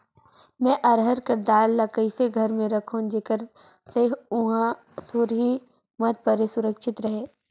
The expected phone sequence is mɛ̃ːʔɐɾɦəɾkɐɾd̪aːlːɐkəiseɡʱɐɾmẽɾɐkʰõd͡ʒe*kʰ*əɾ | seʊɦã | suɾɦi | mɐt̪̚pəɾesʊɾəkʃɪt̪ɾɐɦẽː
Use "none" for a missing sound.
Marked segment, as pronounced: k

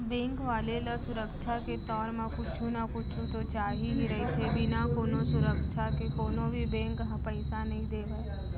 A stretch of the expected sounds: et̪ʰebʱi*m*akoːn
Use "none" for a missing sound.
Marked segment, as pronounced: n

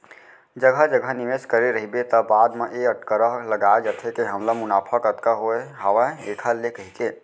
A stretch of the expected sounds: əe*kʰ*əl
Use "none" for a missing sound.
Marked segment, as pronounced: kʰ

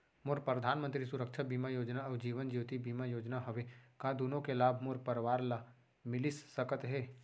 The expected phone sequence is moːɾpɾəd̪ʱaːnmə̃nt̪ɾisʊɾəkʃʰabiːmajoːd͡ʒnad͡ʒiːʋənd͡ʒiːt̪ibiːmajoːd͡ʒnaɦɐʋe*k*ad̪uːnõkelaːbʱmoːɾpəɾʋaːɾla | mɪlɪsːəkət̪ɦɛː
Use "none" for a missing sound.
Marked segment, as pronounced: k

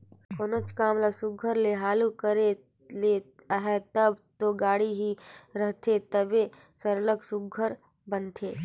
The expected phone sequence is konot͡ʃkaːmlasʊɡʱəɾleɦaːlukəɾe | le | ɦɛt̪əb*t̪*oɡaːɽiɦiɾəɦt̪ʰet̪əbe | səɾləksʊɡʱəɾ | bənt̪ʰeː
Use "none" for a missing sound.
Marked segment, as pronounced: t̪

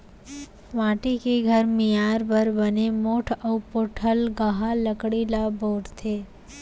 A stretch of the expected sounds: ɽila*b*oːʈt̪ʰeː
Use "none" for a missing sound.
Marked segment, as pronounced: b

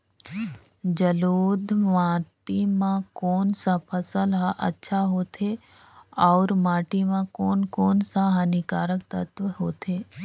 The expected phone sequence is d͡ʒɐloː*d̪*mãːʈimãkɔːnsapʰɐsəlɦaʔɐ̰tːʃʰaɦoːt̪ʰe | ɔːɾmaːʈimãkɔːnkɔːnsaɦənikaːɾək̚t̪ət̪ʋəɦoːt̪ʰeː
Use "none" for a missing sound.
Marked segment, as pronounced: d̪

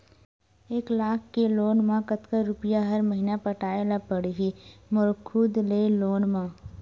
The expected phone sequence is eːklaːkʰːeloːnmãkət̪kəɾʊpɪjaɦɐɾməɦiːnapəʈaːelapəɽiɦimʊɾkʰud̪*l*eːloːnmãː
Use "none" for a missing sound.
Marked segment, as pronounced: l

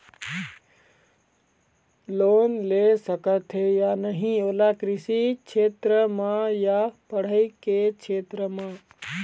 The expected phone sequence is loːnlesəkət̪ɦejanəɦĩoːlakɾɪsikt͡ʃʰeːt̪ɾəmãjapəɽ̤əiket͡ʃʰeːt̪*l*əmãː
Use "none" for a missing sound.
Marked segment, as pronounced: ɾ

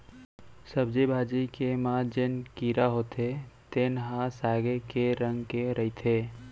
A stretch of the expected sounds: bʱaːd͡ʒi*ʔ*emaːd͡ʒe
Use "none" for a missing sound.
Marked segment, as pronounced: k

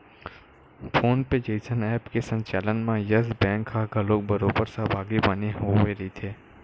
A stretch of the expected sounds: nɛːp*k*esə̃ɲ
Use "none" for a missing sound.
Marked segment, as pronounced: k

